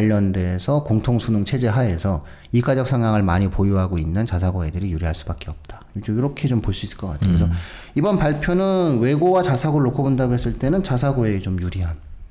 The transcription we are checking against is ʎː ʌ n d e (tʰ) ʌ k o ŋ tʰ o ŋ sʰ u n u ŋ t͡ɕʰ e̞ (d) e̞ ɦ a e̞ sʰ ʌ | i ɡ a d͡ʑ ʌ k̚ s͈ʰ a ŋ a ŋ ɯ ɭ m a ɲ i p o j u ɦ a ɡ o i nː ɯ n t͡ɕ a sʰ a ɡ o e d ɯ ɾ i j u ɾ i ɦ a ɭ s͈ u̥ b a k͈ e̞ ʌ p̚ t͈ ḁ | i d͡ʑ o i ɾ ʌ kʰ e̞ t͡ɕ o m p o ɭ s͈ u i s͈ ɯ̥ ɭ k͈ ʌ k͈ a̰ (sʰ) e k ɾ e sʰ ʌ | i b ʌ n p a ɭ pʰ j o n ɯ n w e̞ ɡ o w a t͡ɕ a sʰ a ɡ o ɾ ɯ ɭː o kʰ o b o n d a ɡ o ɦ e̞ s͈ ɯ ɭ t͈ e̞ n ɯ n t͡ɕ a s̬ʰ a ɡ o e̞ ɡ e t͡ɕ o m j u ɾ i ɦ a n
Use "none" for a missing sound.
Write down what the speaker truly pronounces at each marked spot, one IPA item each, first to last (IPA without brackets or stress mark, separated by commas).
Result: sʰ, d͡ʑ, tʰ